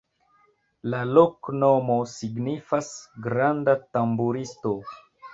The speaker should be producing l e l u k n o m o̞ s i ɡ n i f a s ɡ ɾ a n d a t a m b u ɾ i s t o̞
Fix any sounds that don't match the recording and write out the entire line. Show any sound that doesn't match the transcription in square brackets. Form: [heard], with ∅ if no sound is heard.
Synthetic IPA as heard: l [a] l [o] k n o m o̞ s i ɡ n i f a s ɡ ɾ a n d a t a m b u ɾ i s t o̞